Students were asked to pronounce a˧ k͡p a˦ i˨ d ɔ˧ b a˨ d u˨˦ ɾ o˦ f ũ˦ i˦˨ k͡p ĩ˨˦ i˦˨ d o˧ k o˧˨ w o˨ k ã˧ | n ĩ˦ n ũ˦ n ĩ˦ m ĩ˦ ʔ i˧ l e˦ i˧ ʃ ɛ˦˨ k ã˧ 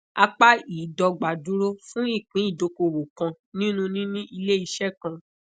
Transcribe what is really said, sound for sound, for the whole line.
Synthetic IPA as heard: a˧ k͡p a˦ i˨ d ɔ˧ ɡ͡b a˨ d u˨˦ ɾ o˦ f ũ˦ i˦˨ k͡p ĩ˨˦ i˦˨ d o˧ k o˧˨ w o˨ k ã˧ | n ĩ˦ n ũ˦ n ĩ˦ n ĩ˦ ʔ i˧ l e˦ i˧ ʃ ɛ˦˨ k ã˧